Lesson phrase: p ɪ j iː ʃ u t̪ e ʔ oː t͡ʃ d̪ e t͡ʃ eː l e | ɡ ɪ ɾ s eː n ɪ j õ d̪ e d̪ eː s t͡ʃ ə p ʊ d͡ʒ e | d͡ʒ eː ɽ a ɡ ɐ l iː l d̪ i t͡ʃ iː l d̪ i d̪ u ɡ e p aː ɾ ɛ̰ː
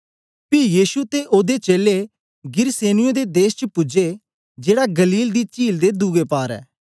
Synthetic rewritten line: p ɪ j iː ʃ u t̪ e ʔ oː d̪ e t͡ʃ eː l e | ɡ ɪ ɾ s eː n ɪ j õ d̪ e d̪ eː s t͡ʃ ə p ʊ d͡ʒ e | d͡ʒ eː ɽ a ɡ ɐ l iː l d̪ i t͡ʃ iː l d̪ e d̪ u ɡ e p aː ɾ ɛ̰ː